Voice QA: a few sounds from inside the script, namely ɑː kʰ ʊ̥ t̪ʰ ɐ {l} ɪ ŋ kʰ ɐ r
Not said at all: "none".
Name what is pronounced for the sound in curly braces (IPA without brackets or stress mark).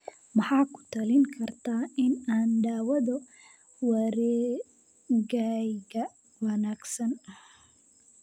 l